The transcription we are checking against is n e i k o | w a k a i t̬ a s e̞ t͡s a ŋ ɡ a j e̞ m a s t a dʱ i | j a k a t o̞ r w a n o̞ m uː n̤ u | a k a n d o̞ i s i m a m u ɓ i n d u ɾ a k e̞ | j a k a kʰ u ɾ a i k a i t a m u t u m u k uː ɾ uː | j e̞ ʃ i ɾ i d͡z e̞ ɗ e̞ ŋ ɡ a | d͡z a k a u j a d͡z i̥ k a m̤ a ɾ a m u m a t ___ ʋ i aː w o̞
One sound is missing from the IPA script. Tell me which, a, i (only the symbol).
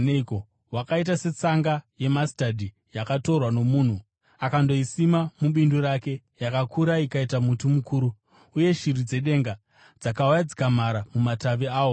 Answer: a